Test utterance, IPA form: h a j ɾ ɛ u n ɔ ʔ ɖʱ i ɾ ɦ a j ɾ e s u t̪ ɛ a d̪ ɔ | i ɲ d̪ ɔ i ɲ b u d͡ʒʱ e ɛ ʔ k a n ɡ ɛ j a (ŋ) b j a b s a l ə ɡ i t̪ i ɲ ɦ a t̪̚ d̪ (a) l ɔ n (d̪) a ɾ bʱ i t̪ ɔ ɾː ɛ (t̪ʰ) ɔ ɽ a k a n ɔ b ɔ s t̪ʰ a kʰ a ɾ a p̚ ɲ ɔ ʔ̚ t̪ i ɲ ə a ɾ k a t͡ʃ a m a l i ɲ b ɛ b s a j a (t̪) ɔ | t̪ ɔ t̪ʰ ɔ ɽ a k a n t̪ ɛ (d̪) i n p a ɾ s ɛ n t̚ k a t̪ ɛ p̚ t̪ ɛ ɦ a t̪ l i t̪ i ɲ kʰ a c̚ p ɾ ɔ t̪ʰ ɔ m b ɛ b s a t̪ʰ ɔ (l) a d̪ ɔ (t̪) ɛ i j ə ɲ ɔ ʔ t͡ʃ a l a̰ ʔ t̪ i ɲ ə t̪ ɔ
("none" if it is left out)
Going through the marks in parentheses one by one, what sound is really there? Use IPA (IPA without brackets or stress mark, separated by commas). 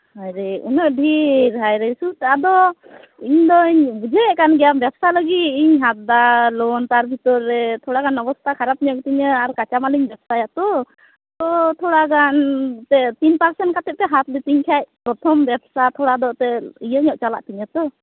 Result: m, a, t̪, t̪ʰ, t̪, t̪, ɽ, t̪